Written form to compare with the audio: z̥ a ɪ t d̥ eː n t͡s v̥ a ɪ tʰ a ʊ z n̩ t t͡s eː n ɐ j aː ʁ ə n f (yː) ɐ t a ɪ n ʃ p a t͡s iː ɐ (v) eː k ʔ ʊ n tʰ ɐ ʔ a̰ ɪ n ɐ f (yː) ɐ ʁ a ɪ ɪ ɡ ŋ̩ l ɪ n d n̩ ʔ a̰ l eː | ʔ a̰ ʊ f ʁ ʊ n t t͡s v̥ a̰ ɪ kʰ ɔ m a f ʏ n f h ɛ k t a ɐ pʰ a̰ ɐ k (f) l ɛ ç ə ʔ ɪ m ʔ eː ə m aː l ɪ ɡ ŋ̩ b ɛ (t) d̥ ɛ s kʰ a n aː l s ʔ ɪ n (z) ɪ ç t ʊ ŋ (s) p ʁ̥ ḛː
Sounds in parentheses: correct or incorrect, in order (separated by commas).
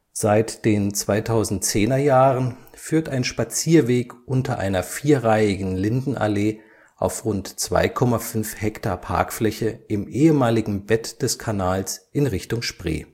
correct, correct, incorrect, correct, correct, incorrect, incorrect